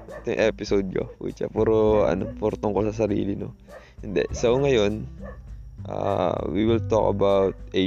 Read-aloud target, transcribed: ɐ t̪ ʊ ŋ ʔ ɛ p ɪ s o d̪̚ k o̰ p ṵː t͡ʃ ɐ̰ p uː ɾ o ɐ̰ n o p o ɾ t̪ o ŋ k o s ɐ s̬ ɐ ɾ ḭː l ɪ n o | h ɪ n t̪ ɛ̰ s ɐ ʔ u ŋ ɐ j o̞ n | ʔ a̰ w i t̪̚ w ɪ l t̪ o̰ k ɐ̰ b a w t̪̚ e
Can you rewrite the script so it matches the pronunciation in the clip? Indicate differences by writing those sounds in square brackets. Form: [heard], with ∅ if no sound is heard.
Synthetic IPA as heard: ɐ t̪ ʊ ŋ ʔ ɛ p ɪ s o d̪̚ k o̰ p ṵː t͡ʃ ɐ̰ p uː ɾ o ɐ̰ n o p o ɾ t̪ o ŋ k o s ɐ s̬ ɐ ɾ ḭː l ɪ n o | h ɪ n [d̪] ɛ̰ s ɐ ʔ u ŋ ɐ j o̞ n | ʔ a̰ w i [∅] w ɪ l t̪ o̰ k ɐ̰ b a w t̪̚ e